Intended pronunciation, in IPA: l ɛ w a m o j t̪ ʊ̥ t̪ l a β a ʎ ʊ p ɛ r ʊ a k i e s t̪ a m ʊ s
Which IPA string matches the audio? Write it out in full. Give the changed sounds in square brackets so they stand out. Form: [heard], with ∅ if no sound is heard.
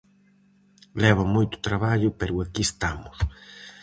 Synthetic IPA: l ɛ [β] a m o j t̪ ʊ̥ t̪ [ɾ] a β a ʎ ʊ p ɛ [ɾ] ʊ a k i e s t̪ a m ʊ s